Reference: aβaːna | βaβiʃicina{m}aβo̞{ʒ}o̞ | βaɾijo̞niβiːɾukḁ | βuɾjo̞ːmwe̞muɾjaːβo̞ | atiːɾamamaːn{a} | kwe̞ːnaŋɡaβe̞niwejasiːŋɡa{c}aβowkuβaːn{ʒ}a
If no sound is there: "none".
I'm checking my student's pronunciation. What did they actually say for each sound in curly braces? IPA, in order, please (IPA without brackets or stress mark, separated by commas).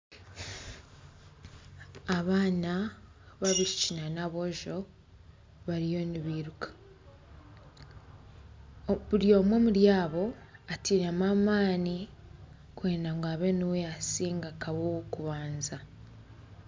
n, ʒ, i, k, z